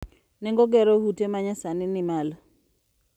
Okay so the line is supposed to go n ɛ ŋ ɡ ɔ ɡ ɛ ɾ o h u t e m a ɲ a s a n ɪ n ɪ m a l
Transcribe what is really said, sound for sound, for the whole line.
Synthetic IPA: n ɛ ŋ ɡ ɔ ɡ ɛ ɾ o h u t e m a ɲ a s a n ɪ n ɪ m a l